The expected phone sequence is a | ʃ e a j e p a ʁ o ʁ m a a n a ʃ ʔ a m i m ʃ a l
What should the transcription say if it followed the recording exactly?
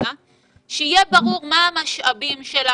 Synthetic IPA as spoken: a | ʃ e i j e b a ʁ u ʁ m a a m a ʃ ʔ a b i m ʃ e l